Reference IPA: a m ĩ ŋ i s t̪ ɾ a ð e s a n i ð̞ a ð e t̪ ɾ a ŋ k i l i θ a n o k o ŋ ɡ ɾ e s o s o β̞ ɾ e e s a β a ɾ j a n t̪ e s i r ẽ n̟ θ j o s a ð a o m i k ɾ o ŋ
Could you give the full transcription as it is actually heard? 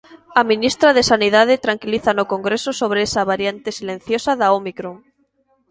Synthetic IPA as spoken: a m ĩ n i s t̪ ɾ a ð e s a n i ð̞ a ð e t̪ ɾ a ŋ k i l i θ a n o k o ŋ ɡ ɾ e s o s o β̞ ɾ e e s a β a ɾ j a n t̪ e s i l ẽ n̟ θ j o s a ð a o m i k ɾ o ŋ